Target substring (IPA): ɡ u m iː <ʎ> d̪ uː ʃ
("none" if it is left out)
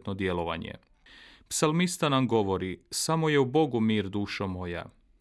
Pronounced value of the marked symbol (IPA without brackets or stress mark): ɾ